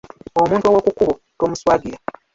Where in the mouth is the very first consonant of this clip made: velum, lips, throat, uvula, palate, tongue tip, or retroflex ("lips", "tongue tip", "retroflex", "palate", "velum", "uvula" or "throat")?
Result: lips